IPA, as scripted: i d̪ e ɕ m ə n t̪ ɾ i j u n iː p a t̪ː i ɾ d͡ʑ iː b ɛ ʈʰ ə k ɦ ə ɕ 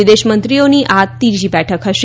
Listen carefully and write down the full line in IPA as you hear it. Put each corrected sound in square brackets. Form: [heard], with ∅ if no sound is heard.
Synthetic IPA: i d̪ e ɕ m ə n t̪ ɾ i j [o] n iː [ʔ] a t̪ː i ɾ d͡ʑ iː b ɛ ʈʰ ə k ɦ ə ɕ